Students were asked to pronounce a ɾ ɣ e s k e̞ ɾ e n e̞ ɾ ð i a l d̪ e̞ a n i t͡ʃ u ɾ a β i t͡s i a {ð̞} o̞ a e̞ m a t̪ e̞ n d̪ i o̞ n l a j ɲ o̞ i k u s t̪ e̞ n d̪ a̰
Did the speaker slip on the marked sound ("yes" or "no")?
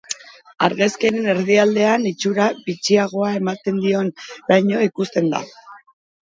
yes